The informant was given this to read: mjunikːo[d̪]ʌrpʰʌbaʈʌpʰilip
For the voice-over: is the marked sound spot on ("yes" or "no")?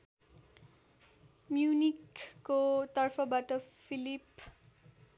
no